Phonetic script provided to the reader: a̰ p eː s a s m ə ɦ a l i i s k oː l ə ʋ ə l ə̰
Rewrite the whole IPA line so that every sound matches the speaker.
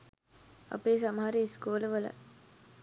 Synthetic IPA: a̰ p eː s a m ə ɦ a ɾ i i s k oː l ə ʋ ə l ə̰